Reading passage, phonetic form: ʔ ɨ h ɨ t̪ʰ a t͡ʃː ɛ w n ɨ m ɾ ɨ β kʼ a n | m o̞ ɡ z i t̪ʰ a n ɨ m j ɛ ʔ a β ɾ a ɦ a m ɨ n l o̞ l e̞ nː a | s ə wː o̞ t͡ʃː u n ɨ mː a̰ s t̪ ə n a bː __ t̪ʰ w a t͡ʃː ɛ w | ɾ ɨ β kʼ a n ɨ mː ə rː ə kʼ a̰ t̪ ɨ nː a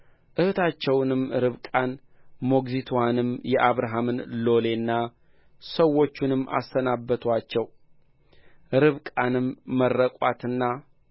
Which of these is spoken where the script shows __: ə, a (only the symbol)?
ə